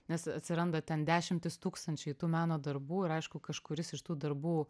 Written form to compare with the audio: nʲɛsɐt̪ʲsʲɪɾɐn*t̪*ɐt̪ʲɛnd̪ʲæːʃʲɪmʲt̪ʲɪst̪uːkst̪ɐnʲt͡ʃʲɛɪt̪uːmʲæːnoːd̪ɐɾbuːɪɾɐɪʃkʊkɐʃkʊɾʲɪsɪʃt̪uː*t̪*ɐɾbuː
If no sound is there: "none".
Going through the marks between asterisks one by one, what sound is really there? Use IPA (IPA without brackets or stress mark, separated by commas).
d̪, d̪